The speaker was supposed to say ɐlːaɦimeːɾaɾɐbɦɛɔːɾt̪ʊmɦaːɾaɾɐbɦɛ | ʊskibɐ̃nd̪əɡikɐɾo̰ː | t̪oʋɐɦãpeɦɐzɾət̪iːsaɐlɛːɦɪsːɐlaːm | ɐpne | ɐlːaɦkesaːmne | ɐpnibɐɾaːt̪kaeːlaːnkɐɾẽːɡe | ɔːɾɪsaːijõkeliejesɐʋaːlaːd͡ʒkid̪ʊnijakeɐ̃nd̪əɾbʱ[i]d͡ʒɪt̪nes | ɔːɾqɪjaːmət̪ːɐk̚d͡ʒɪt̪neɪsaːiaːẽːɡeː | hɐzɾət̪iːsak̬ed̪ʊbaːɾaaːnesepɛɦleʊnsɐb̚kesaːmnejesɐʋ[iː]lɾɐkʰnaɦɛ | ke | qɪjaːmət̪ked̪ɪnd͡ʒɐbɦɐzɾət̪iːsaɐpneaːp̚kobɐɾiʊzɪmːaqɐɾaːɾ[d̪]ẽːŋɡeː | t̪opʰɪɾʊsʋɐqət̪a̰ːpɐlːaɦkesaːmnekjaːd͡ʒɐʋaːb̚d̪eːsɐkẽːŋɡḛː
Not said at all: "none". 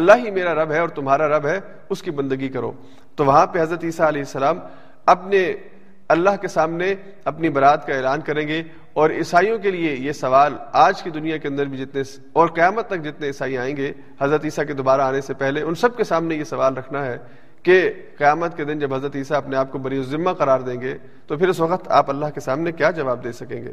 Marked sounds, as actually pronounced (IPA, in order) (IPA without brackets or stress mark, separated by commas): i, aː, d̪